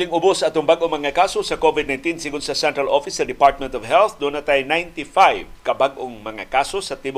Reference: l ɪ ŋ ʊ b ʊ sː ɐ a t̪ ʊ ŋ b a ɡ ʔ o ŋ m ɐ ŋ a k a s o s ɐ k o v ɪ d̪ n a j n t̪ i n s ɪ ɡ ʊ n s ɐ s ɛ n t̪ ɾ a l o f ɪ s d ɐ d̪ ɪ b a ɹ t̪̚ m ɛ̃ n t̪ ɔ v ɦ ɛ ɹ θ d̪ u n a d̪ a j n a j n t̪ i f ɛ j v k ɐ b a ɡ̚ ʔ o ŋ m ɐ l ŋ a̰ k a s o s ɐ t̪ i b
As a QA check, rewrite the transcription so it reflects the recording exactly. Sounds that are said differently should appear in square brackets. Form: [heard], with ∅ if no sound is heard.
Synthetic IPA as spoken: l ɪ ŋ ʊ b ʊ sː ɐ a t̪ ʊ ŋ b a ɡ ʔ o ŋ m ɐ ŋ a k a s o s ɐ k o v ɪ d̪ n a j n t̪ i n s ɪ ɡ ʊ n s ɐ s ɛ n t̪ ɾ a l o f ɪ s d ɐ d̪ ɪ [p] a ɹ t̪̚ m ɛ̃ n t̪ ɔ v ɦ ɛ [l] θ d̪ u n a [t̪] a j n a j n t̪ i f [a] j v k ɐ b a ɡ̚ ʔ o ŋ m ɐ [∅] ŋ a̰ k a s o s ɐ t̪ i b